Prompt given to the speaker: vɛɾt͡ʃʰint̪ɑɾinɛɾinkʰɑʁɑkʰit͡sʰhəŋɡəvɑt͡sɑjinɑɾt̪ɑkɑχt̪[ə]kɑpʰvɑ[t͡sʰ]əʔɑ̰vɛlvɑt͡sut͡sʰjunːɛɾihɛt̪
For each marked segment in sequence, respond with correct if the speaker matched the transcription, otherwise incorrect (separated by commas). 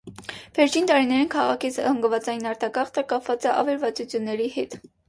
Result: correct, incorrect